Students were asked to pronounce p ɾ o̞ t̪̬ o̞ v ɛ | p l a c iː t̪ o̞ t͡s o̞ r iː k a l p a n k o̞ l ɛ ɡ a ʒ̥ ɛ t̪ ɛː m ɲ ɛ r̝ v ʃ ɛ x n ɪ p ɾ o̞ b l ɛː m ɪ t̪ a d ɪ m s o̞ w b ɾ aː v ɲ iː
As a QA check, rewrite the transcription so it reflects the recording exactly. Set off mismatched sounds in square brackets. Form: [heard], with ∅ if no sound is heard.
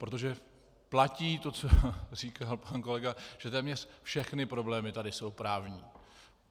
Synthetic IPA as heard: p ɾ o̞ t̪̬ o̞ [ʒ] ɛ | p l a c iː t̪ o̞ t͡s o̞ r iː k a l p a n k o̞ l ɛ ɡ a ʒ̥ ɛ t̪ ɛː m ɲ ɛ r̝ [f] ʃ ɛ x n ɪ p ɾ o̞ b l ɛː m ɪ t̪ a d ɪ [∅] s o̞ w [p] ɾ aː v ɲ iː